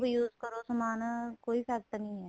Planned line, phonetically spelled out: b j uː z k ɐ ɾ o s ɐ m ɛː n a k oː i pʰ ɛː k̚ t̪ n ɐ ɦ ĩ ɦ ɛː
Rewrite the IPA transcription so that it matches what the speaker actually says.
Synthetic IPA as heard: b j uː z k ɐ ɾ o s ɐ m aː n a k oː i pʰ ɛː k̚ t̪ n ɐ ɦ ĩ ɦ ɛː

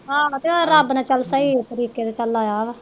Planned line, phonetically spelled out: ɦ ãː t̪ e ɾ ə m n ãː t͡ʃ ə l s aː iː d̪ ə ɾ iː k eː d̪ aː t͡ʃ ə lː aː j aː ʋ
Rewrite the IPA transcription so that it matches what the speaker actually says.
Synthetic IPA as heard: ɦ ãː t̪ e ɾ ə b n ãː t͡ʃ ə l s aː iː t̪ ə ɾ iː k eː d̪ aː t͡ʃ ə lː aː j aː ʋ

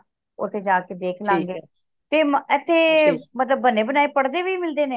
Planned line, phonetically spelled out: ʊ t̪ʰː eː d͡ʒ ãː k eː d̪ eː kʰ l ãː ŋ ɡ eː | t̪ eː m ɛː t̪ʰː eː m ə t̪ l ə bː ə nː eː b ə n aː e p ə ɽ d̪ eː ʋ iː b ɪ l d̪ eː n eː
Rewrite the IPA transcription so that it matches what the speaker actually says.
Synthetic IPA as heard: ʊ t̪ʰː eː d͡ʒ aː k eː d̪ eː kʰ l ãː ŋ ɡ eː | t̪ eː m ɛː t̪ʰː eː m ə t̪ l ə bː ə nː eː b ə n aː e p ə ɽ d̪ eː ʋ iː m ɪ l d̪ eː n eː

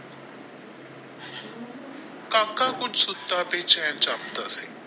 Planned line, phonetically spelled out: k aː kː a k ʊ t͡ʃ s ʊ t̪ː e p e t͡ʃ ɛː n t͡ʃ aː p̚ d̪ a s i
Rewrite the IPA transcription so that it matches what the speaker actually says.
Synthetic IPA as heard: k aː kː a k ʊ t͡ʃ s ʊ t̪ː a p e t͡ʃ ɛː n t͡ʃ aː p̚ t̪ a s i

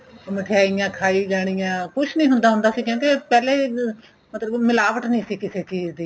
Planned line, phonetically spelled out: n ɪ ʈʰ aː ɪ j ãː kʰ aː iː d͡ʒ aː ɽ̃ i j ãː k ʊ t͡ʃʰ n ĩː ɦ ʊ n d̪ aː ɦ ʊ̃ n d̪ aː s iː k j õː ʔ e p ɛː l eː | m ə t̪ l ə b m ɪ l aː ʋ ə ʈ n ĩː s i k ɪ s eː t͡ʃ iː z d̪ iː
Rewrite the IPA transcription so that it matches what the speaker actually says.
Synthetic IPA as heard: m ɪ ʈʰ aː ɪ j ãː kʰ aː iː d͡ʒ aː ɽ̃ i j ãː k ʊ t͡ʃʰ n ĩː ɦ ʊ n d̪ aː ɦ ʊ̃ n d̪ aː s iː k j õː k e p ɛː l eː | m ə t̪ l ə b m ɪ l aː ʋ ə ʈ n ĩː s iː k ɪ s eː t͡ʃ iː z d̪ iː

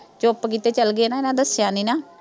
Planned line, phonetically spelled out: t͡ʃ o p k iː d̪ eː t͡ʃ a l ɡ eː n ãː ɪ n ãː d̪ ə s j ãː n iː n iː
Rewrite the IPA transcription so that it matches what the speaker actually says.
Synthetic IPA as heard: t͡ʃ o p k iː t̪ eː t͡ʃ ə l ɡ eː n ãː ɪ n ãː d̪ ə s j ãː n iː n aː

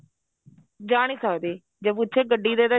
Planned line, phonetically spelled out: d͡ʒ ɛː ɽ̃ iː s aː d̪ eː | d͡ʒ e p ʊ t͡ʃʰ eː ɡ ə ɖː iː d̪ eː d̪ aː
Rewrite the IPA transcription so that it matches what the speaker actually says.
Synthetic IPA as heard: d͡ʒ aː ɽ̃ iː s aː d̪ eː | d͡ʒ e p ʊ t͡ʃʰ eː ɡ ə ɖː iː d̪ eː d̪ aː

